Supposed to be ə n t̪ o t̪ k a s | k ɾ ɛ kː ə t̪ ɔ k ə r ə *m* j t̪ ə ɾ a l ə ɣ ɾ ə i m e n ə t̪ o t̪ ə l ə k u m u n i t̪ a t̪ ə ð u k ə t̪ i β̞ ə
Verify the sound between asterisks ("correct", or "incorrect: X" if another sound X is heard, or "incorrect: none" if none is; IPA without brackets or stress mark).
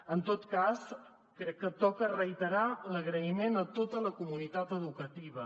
incorrect: none